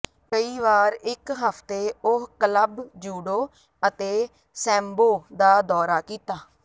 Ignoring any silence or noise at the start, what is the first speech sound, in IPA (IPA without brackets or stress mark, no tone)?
k